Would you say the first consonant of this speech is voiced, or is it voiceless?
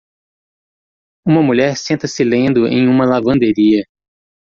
voiced